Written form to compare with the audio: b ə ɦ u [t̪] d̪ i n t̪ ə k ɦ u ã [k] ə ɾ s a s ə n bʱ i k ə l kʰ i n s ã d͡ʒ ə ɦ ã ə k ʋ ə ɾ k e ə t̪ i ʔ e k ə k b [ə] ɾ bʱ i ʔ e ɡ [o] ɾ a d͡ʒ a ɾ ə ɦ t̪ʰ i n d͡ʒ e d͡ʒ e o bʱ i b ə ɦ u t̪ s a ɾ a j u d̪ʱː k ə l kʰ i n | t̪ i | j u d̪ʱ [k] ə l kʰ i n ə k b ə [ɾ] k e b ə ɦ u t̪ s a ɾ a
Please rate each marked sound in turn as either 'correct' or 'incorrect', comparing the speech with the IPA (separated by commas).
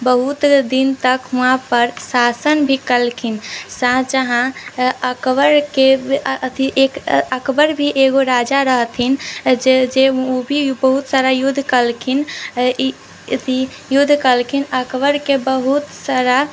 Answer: correct, incorrect, correct, correct, correct, correct